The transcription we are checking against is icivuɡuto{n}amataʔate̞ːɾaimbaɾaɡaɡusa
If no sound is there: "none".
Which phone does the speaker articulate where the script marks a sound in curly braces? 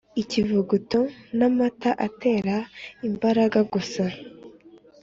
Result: n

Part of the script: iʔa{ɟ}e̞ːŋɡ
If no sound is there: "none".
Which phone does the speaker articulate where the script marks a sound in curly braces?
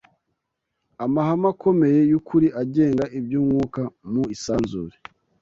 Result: ɟ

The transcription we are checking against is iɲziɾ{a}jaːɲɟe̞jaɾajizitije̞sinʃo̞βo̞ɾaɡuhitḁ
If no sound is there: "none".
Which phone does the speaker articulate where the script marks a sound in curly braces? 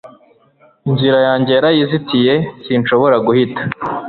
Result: a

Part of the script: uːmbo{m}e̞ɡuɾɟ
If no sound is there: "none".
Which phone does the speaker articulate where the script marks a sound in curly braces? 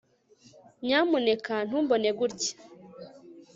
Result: n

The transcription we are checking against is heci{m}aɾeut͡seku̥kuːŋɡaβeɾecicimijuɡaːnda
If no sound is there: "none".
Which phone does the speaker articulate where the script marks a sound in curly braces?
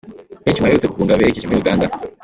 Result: m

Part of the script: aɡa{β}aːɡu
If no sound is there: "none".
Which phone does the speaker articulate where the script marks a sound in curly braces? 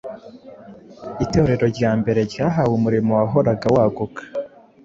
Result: w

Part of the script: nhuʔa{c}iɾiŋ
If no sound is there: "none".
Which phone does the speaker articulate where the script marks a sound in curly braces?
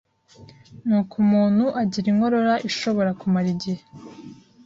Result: ɟ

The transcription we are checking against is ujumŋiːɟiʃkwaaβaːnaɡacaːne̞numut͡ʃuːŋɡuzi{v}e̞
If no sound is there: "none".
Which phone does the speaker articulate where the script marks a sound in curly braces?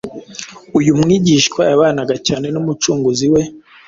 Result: w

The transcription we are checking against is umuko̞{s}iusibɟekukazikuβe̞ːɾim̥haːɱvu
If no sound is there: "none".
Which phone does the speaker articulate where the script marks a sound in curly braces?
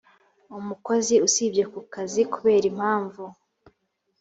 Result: z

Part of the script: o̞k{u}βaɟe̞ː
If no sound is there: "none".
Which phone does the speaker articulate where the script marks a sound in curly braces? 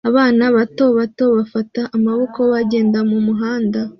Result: o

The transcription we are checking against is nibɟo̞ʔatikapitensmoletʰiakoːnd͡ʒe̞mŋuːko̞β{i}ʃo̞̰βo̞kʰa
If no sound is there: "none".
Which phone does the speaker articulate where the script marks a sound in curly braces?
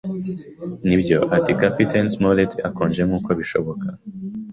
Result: i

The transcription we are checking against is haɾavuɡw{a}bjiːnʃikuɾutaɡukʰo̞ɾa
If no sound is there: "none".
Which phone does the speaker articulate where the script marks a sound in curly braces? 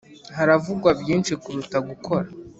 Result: a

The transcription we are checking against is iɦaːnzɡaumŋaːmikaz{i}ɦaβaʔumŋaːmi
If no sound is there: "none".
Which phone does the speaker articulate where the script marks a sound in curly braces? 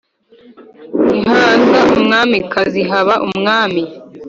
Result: i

